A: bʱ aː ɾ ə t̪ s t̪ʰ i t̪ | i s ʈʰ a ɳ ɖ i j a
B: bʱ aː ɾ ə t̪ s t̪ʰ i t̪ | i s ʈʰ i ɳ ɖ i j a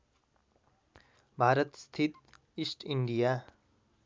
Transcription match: B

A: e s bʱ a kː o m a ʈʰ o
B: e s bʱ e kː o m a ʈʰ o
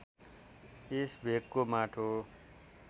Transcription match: B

